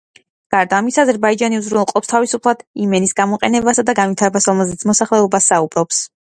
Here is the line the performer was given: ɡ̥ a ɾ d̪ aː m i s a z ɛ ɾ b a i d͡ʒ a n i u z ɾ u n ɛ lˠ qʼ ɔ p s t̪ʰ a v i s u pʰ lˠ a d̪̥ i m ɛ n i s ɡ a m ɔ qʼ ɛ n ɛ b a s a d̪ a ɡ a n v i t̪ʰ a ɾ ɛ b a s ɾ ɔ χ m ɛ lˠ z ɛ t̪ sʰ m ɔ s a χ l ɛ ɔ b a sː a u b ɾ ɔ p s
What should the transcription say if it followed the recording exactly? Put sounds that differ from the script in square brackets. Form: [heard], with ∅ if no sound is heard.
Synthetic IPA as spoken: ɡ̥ a ɾ d̪ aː m i s a z ɛ ɾ b a i d͡ʒ a n i u z ɾ u n ɛ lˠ qʼ ɔ p s t̪ʰ a v i s u pʰ lˠ a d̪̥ i m ɛ n i s ɡ a m ɔ qʼ ɛ n ɛ b a s a d̪ a ɡ a n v i t̪ʰ a ɾ ɛ b a s ɾ ɔ [∅] m ɛ lˠ z ɛ t̪ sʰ m ɔ s a χ l ɛ ɔ b a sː a u b ɾ ɔ p s